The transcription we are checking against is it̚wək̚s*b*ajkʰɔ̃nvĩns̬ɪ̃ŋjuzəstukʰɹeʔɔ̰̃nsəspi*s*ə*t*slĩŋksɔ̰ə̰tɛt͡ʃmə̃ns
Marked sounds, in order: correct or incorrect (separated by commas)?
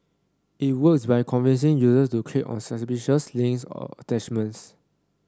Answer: correct, incorrect, incorrect